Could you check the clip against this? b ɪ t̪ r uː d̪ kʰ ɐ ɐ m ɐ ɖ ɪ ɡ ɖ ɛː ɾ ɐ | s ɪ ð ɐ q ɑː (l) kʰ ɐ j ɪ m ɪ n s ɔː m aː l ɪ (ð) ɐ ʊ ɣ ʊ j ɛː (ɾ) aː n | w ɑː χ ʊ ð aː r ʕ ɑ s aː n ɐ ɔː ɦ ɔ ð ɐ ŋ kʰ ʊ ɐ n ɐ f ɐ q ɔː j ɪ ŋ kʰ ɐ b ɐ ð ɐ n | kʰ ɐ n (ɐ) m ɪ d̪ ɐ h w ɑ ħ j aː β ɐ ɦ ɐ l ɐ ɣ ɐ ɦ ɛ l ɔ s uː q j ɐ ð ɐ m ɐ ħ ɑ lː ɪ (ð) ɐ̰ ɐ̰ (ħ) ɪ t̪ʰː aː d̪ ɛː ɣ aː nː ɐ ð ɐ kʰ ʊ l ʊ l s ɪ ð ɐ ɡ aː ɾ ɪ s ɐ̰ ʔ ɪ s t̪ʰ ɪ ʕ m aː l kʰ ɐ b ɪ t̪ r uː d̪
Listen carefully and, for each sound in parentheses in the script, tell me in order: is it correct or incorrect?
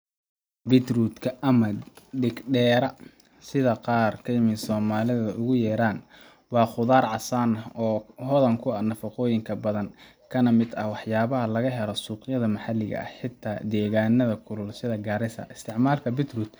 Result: incorrect, correct, correct, correct, incorrect, correct

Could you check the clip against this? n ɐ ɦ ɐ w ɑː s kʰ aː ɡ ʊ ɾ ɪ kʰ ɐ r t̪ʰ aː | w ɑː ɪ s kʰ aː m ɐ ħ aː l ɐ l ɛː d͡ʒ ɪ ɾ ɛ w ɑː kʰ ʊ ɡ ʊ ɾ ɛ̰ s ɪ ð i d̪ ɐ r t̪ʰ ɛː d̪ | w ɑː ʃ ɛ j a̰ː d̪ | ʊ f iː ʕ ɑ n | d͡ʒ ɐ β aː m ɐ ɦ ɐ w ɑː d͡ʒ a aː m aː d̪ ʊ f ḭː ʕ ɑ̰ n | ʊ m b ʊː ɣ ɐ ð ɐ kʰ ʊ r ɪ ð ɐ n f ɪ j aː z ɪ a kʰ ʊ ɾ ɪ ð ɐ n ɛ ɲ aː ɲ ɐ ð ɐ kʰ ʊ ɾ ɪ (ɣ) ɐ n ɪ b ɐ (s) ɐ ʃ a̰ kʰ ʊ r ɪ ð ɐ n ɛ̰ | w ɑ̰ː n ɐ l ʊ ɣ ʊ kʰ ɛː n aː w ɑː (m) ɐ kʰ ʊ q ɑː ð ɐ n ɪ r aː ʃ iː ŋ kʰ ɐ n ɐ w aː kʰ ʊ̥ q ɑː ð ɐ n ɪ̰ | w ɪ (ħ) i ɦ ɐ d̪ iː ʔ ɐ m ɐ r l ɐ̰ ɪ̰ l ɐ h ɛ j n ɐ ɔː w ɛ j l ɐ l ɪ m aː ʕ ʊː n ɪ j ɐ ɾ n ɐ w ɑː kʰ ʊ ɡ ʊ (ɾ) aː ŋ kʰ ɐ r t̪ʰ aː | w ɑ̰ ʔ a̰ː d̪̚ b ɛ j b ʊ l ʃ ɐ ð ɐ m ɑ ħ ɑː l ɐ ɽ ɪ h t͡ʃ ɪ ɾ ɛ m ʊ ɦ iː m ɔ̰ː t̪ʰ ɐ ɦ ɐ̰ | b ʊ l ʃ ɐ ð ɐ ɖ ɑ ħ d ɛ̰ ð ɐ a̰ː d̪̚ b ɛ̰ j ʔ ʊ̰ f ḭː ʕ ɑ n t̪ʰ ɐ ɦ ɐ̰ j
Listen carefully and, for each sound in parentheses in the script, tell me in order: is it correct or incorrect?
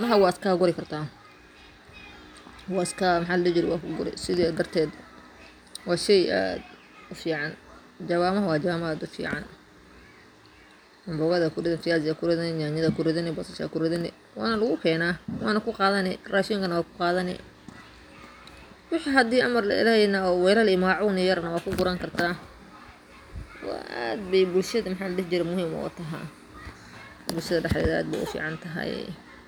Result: incorrect, correct, incorrect, correct, correct

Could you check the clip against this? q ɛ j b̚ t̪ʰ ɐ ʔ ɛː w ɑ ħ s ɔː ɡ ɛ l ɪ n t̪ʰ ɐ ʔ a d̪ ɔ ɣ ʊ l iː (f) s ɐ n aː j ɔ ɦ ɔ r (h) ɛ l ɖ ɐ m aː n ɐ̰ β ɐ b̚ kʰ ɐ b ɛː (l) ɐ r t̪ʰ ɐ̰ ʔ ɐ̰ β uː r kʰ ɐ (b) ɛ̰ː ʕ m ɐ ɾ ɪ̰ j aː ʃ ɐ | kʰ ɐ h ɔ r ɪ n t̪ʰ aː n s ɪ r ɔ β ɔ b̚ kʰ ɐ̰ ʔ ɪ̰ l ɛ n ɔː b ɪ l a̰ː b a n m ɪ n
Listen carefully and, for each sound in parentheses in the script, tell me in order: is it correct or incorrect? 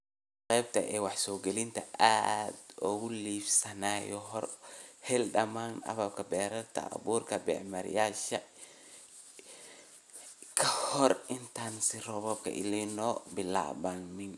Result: correct, correct, incorrect, correct

